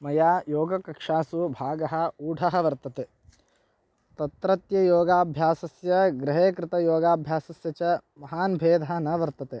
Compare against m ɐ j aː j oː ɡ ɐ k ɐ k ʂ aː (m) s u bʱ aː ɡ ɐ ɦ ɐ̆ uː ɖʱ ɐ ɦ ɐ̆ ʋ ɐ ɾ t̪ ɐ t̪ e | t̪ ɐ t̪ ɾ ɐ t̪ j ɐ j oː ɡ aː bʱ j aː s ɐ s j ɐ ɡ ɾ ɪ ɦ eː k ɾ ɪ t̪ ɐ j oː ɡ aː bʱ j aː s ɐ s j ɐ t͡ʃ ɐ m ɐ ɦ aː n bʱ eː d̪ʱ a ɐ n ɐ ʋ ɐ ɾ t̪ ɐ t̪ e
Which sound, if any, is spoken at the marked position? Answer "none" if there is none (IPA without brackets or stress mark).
none